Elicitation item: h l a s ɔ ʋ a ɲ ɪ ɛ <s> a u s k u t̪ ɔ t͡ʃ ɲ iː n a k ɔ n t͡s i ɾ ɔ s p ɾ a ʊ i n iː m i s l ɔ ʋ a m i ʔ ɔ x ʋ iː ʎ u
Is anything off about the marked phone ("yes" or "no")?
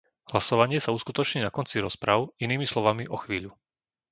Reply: no